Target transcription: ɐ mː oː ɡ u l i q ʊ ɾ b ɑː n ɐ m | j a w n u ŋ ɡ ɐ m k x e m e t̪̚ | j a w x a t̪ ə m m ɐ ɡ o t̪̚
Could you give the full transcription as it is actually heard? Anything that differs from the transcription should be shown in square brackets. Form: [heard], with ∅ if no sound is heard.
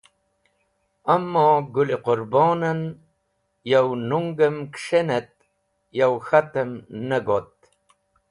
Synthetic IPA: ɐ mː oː ɡ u l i q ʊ ɾ b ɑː n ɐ [n] | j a w n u ŋ ɡ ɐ m k [ʂ] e [n] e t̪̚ | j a w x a t̪ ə m [n] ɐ ɡ o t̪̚